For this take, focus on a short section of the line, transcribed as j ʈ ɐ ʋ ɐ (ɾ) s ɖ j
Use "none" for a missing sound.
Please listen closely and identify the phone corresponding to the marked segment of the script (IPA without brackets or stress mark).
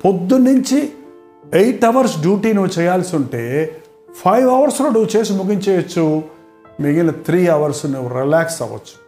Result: ɾ